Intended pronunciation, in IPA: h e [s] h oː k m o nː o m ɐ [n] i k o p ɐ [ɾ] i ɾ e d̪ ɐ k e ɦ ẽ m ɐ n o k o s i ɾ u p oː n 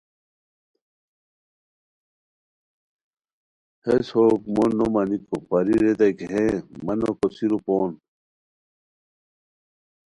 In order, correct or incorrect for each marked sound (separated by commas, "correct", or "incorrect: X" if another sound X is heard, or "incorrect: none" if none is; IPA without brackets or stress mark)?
correct, correct, correct